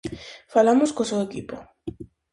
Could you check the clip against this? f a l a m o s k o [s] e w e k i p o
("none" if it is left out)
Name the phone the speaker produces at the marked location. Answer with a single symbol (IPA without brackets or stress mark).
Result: s